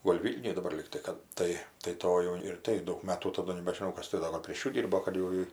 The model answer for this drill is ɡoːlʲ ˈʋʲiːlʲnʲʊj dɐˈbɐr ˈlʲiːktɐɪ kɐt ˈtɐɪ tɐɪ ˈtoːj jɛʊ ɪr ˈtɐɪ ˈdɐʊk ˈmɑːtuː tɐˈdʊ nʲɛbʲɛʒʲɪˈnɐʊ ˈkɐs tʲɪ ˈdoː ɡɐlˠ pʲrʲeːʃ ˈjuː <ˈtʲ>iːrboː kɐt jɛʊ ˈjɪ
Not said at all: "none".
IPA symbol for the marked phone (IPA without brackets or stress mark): dʲ